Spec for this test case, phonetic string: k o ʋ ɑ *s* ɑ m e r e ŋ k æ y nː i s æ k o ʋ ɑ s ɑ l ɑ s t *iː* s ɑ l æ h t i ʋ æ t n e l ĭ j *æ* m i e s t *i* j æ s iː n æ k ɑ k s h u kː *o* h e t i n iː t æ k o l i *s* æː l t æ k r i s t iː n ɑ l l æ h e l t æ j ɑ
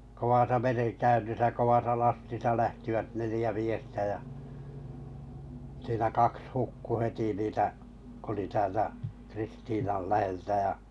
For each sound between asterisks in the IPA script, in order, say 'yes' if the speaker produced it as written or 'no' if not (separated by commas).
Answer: yes, no, yes, no, no, no